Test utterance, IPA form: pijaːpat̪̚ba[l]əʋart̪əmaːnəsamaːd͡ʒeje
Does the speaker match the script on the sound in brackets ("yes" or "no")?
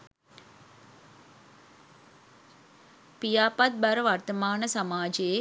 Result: no